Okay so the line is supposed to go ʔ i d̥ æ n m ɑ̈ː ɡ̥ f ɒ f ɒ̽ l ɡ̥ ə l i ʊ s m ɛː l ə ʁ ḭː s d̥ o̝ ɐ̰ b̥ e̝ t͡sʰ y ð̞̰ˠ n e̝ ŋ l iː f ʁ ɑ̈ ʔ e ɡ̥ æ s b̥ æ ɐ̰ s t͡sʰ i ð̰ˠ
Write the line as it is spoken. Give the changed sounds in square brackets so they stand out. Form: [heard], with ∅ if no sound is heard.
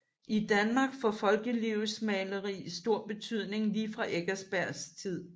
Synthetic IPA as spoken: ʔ i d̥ æ n m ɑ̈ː ɡ̥ f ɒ f ɒ̽ l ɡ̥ ə l i ʊ s m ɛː l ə ʁ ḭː s d̥ o̝ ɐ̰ b̥ e̝ t͡sʰ y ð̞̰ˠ n e̝ ŋ l iː f ʁ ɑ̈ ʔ e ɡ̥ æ s b̥ æ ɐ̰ s t͡sʰ i ð̰ˠ